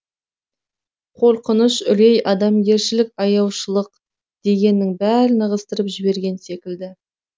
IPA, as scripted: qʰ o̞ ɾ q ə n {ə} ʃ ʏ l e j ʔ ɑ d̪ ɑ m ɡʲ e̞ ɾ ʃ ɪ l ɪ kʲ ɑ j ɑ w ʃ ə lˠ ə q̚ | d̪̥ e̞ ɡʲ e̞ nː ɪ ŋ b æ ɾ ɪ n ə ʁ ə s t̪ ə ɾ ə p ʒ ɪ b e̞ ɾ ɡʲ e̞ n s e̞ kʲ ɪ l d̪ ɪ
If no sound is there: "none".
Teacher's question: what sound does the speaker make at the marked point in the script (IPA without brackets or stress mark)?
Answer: ə